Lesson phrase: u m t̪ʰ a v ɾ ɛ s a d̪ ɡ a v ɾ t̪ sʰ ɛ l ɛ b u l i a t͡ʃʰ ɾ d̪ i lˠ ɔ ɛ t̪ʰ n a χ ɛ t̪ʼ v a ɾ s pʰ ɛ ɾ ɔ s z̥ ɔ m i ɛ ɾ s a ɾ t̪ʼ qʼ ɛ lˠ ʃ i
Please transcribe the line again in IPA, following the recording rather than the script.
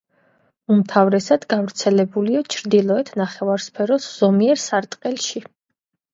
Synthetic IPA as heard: u m t̪ʰ a v ɾ ɛ s a d̪ ɡ a v ɾ t̪ sʰ ɛ l ɛ b u l i a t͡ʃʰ ɾ d̪ i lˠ ɔ ɛ t̪ʰ n a χ ɛ v a ɾ s pʰ ɛ ɾ ɔ s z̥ ɔ m i ɛ ɾ s a ɾ t̪ʼ qʼ ɛ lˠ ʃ i